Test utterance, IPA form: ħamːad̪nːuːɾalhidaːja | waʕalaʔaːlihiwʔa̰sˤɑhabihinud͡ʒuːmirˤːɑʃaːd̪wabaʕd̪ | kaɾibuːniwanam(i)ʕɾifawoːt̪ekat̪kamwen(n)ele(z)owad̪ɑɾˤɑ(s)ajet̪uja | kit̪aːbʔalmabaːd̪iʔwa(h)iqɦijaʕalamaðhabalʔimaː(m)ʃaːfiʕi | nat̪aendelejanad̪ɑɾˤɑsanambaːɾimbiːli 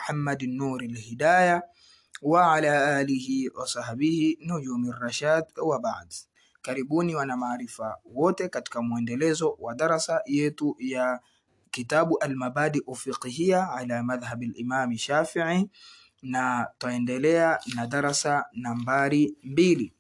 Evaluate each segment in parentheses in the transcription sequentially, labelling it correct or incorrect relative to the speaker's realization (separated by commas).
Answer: incorrect, incorrect, correct, correct, incorrect, correct